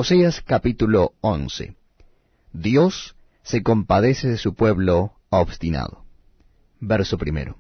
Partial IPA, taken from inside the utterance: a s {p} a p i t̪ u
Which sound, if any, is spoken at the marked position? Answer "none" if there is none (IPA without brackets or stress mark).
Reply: k